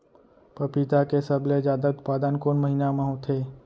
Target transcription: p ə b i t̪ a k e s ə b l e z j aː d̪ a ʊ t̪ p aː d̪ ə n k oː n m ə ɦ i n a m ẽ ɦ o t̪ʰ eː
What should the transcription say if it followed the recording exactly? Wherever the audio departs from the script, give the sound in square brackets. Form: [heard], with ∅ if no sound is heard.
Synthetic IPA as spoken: p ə [p] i t̪ a k e s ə b l e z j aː d̪ a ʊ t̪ p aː d̪ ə n k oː n m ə ɦ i n a m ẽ ɦ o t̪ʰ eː